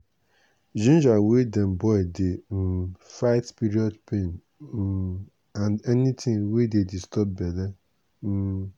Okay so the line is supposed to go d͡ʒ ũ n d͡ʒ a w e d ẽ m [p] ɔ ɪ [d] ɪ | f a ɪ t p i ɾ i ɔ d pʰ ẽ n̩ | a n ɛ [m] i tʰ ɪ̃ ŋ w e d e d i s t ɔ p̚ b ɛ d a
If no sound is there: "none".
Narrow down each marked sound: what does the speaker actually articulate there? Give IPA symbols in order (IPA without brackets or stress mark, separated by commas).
b, d, n